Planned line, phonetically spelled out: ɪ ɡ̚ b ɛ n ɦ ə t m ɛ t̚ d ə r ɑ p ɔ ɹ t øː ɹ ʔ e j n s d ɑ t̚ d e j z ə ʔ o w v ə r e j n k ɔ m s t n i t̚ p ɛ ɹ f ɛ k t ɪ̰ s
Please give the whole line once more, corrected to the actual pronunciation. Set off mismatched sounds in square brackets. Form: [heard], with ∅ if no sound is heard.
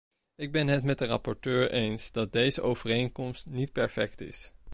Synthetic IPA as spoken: ɪ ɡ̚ b ɛ n ɦ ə t m ɛ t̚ d ə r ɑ p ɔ ɹ t øː ɹ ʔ e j n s d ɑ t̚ d e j z ə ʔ o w v ə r e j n k ɔ m s t n i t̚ p ɛ ɹ f ɛ k t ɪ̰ s